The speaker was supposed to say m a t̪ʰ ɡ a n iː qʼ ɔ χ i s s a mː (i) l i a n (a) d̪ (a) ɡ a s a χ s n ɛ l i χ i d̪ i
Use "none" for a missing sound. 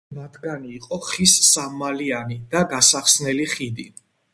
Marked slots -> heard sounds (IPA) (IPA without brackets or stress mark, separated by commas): a, i, a